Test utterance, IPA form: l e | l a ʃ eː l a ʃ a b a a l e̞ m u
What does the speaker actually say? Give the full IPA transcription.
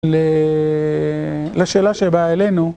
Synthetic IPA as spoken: l e | l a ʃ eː l a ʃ e b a e l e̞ n u